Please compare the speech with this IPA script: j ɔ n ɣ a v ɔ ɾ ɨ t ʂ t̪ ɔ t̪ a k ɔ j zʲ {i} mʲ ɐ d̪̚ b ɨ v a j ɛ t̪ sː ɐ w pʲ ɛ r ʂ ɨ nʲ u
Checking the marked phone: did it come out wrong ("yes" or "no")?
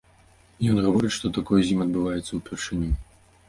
no